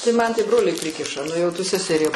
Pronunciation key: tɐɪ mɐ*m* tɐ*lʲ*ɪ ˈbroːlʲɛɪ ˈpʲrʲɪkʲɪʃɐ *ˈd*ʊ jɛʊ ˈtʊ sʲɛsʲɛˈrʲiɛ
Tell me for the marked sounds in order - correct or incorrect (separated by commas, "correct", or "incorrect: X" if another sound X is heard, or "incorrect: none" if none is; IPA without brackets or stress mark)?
incorrect: n, incorrect: none, incorrect: n